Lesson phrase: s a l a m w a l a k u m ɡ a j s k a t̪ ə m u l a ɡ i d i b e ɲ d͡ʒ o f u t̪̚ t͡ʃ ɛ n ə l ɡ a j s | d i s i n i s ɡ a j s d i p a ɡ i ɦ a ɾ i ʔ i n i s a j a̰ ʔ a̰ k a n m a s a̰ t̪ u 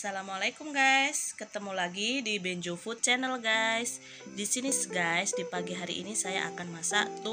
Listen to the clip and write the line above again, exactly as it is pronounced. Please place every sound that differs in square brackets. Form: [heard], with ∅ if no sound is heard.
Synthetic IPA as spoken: s a l a m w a l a k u m ɡ a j s k [ə] t̪ ə m u l a ɡ i d i b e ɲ d͡ʒ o f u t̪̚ t͡ʃ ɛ n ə l ɡ a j s | d i s i n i s ɡ a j s d i p a ɡ i ɦ a ɾ i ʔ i n i s a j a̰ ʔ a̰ k a n m a s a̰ t̪ u